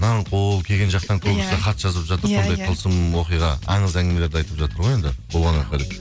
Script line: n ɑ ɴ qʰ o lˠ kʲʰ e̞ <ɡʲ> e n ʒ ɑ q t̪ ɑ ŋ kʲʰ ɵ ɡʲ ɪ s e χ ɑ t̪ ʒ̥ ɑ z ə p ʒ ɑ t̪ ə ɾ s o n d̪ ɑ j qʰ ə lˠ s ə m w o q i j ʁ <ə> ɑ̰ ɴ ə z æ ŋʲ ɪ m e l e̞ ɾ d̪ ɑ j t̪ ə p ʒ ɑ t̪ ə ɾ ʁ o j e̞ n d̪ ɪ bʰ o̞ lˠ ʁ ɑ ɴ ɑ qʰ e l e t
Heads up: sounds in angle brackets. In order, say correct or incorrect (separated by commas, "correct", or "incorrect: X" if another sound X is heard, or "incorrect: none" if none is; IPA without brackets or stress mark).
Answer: correct, incorrect: ɑ